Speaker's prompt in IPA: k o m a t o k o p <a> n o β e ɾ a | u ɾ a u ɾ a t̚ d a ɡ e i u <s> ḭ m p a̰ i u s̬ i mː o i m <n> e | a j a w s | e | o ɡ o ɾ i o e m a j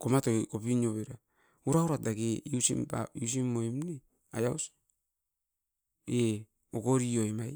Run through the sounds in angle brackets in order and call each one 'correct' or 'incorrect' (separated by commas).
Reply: incorrect, correct, correct